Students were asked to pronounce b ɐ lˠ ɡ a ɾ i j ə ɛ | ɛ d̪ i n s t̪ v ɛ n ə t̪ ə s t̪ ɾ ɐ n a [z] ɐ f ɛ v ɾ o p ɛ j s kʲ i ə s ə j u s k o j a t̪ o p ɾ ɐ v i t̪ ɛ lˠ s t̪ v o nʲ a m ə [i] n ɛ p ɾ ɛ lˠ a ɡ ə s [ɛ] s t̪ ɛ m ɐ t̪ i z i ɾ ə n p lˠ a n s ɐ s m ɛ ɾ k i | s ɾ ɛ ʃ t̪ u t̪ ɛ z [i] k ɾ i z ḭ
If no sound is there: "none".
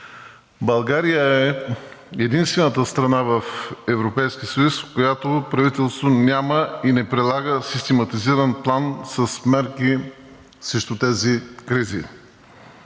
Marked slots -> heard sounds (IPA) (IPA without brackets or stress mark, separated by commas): v, i, i, i